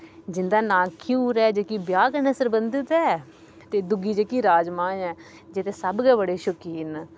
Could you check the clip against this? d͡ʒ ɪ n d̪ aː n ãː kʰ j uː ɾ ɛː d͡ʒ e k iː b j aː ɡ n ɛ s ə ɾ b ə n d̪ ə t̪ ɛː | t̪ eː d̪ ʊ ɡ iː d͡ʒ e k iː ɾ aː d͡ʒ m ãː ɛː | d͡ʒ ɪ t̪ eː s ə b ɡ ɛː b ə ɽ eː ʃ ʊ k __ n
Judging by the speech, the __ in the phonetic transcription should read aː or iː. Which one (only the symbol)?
iː